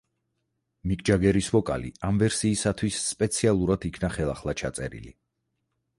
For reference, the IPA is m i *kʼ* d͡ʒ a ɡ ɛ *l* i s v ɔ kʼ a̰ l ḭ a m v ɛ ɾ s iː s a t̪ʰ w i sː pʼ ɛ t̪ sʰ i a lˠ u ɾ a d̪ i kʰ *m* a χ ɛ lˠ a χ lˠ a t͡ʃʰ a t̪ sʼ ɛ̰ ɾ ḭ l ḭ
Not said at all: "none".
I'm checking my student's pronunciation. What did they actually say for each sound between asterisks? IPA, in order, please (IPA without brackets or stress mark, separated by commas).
kʼ, ɾ, n